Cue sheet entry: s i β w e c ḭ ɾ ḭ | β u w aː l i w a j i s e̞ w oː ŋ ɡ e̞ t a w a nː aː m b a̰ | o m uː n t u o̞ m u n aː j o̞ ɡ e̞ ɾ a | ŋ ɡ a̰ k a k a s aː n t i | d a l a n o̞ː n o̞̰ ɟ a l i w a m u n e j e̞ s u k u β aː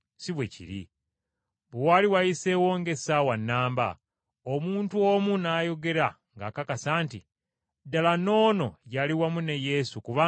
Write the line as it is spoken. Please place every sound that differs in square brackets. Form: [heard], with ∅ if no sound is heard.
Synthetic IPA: s i β w e c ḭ ɾ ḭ | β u w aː l i w a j i s e̞ w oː ŋ ɡ e̞ [s] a w a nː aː m b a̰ | o m uː n t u o̞ m u n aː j o̞ ɡ e̞ ɾ a | ŋ ɡ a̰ k a k a s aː n t i | d a l a n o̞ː n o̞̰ ɟ a l i w a m u n e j e̞ s u k u β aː